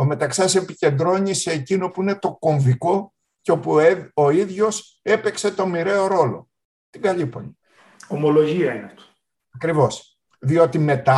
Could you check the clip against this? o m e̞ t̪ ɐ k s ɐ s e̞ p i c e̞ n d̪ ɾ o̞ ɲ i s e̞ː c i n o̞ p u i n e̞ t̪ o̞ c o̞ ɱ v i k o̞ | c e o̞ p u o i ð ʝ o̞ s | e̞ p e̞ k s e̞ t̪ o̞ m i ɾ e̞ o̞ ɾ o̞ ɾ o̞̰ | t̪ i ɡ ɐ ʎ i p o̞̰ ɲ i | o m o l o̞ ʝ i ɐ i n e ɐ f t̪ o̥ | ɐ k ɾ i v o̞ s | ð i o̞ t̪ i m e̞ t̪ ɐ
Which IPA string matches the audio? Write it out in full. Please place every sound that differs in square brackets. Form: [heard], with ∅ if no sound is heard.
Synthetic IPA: o m e̞ t̪ ɐ k s ɐ s e̞ p i c e̞ n d̪ ɾ o̞ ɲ i s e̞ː c i n o̞ p u i n e̞ t̪ o̞ [k] o̞ ɱ v i k o̞ | c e o̞ p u o i ð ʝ o̞ s | e̞ p e̞ k s e̞ t̪ o̞ m i ɾ e̞ o̞ ɾ o̞ [l] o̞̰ | t̪ i ɡ ɐ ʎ i p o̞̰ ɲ i | o m o l o̞ ʝ i ɐ i n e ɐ f t̪ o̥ | ɐ k ɾ i v o̞ s | ð i o̞ t̪ i m e̞ t̪ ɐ